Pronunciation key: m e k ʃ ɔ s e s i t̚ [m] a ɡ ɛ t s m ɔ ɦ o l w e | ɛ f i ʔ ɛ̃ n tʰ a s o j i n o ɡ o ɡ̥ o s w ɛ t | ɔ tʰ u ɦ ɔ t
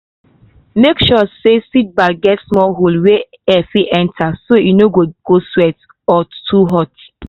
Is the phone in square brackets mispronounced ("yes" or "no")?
yes